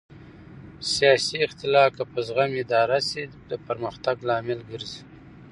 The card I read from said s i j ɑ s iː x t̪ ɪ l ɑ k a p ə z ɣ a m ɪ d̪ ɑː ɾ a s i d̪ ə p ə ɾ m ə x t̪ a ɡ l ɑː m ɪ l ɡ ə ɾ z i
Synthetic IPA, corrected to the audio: s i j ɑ s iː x t̪ ɪ l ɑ k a p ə z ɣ a m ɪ d̪ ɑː ɾ a s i d̪ ə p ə ɾ m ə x t̪ a ɡ l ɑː m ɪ l ɡ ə ɾ z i